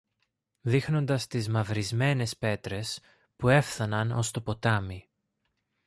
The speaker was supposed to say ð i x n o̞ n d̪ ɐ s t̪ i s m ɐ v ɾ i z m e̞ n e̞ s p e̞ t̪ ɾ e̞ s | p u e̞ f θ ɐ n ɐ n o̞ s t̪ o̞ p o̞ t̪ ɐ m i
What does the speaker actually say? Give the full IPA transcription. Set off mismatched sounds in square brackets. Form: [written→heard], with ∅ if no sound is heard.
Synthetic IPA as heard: ð i x n o̞ n d̪ ɐ s t̪ i [s→z] m ɐ v ɾ i z m e̞ n e̞ s p e̞ t̪ ɾ e̞ s | p u e̞ f θ ɐ n ɐ n o̞ s t̪ o̞ p o̞ t̪ ɐ m i